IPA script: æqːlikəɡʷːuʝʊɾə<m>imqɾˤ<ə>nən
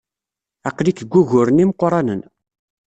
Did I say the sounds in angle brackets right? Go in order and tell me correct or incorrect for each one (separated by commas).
incorrect, incorrect